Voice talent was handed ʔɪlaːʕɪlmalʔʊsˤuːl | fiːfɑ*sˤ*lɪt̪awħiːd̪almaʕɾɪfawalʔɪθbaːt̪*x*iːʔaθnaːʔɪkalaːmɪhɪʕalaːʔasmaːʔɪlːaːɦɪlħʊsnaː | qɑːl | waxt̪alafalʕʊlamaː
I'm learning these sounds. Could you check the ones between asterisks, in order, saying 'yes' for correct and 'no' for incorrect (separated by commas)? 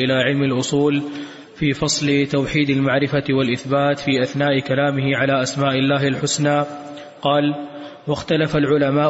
yes, no